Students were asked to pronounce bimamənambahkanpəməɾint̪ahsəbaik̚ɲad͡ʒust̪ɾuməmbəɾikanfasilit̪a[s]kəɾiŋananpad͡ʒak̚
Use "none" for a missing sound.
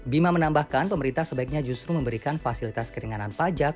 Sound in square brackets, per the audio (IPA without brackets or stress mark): s